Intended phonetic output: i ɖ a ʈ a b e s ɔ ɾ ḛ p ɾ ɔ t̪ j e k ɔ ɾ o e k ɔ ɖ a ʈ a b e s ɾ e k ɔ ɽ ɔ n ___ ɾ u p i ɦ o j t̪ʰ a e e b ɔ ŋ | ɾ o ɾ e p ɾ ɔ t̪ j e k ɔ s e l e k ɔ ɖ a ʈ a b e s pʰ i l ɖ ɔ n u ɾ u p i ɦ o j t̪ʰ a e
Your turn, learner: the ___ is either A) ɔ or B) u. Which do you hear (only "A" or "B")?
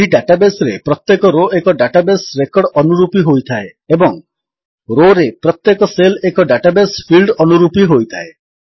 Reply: B